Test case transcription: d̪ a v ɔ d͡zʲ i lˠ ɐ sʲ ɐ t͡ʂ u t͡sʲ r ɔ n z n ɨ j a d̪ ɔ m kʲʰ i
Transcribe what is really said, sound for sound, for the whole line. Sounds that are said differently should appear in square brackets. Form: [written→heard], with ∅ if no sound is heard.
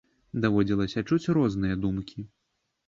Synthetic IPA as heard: d̪ a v ɔ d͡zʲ i lˠ ɐ sʲ ɐ t͡ʂ u t͡sʲ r ɔ [n→∅] z n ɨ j [a→ɐ] d̪ [ɔ→u] m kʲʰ i

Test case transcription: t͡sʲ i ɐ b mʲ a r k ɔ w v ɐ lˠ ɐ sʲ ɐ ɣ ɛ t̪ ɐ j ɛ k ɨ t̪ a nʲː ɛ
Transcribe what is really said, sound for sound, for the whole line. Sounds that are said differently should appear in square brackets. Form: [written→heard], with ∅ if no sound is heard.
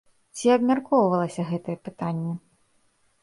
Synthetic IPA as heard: t͡sʲ i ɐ b mʲ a r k ɔ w v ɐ lˠ ɐ sʲ ɐ ɣ ɛ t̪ ɐ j ɛ [k→p] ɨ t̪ a nʲː ɛ

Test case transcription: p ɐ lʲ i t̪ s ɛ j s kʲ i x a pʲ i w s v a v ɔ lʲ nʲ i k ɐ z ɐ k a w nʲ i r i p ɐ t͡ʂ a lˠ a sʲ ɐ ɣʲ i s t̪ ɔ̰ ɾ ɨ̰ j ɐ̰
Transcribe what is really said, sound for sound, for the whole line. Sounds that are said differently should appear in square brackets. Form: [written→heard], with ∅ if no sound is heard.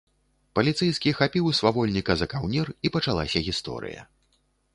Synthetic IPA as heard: p ɐ lʲ i t̪ s ɛ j s kʲ i x a pʲ i w s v a v ɔ lʲ nʲ i k ɐ z ɐ k a w nʲ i r i p ɐ t͡ʂ a lˠ a sʲ ɐ ɣʲ i s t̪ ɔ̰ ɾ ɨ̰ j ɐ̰

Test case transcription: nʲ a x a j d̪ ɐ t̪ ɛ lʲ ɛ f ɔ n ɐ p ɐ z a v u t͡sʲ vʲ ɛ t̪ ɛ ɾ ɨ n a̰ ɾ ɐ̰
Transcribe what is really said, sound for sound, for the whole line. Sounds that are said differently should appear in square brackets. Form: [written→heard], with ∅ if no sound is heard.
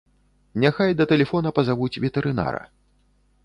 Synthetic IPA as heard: nʲ a x a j d̪ ɐ t̪ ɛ lʲ ɛ f ɔ n ɐ p ɐ z a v u t͡sʲ vʲ ɛ t̪ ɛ ɾ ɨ n a̰ ɾ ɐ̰

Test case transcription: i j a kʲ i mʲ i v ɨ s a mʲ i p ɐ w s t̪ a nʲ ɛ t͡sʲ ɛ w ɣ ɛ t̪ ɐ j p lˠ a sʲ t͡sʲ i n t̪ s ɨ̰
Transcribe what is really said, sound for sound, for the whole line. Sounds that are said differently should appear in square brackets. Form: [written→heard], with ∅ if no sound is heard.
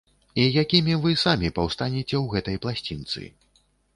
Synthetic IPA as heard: i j a kʲ i mʲ i v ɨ s a mʲ i p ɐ w s t̪ a nʲ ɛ t͡sʲ ɛ w ɣ ɛ t̪ ɐ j p lˠ a sʲ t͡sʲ i n t̪ s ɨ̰

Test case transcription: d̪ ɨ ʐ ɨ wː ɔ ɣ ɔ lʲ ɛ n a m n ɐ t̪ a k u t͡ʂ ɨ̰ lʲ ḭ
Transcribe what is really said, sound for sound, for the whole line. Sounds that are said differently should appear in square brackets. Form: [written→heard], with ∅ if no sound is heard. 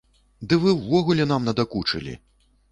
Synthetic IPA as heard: d̪ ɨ [ʐ→v] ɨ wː ɔ ɣ [ɔ→u] lʲ ɛ n a m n ɐ [t̪→d̪] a k u t͡ʂ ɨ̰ lʲ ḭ

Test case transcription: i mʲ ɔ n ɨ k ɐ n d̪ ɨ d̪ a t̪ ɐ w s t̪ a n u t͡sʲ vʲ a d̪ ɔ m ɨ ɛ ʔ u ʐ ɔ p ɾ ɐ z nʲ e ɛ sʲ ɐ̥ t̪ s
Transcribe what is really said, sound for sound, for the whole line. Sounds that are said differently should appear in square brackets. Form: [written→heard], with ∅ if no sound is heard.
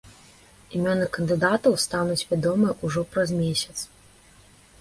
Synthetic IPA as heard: i mʲ ɔ n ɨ k ɐ n d̪ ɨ d̪ a t̪ ɐ w s t̪ a n u t͡sʲ vʲ a d̪ ɔ m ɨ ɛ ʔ u ʐ ɔ p ɾ ɐ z [nʲ→mʲ] e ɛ sʲ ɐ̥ t̪ s

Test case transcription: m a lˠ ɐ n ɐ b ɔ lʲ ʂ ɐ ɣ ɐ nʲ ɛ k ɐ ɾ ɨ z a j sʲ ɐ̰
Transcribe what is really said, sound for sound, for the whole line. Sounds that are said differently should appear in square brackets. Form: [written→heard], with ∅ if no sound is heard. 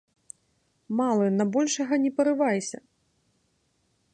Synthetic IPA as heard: m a lˠ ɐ n ɐ b ɔ lʲ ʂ ɐ ɣ ɐ nʲ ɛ [k→p] ɐ ɾ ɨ [z→v] a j sʲ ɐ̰

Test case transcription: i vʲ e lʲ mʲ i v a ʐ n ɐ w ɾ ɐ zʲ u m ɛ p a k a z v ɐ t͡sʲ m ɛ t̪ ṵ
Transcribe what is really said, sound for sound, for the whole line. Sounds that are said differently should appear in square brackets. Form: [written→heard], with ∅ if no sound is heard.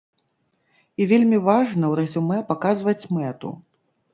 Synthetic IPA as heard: i vʲ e lʲ mʲ i v a ʐ n ɐ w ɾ ɐ zʲ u m ɛ p a k a z v ɐ t͡sʲ m ɛ t̪ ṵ

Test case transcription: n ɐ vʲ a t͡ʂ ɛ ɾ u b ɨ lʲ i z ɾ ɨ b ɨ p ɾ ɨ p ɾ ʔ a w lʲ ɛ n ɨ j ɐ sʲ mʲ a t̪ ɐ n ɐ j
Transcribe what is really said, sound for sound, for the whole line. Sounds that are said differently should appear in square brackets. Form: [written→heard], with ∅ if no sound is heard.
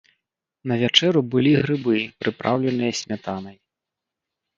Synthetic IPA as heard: n ɐ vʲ a t͡ʂ ɛ ɾ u b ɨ lʲ i [z→ɣ] ɾ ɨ b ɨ p ɾ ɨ p ɾ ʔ a w lʲ ɛ n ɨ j ɐ sʲ mʲ a t̪ [ɐ→a] n ɐ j

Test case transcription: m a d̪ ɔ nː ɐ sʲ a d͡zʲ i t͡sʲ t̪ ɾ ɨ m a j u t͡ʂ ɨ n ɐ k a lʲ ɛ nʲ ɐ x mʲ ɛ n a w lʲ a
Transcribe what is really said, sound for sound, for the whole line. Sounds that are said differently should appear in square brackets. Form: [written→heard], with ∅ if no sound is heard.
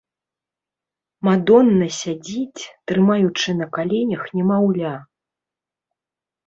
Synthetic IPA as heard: m a d̪ ɔ nː ɐ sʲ a d͡zʲ i t͡sʲ t̪ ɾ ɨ m a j u t͡ʂ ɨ n ɐ k a lʲ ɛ nʲ ɐ x [mʲ→nʲ] ɛ [n→m] a w lʲ a

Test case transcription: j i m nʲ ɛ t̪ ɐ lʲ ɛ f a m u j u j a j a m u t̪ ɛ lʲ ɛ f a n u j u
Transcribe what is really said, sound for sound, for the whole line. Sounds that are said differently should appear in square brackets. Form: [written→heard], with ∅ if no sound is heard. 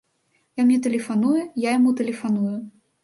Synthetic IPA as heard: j [i→a] m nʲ ɛ t̪ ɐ lʲ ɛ f a [m→n] u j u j a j a m u t̪ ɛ lʲ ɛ f a n u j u

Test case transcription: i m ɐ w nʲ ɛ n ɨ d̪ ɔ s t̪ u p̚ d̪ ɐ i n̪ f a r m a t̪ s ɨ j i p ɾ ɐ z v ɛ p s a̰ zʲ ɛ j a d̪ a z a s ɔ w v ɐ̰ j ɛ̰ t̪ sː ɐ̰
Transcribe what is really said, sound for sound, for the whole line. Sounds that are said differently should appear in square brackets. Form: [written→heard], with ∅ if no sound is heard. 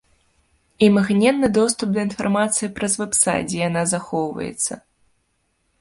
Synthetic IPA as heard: i m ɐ [w→ɣ] nʲ ɛ [n→nː] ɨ d̪ ɔ s t̪ u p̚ d̪ ɐ i n̪ f a r m a t̪ s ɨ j i p ɾ ɐ z v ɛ p s a̰ [zʲ→d͡zʲ] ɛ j a [d̪→n̪] a z a [s→x] ɔ w v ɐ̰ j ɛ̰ t̪ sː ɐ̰

